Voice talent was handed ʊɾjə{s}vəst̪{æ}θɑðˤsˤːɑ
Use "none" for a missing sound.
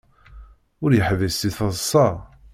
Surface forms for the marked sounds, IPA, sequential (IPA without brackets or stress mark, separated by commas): ħ, i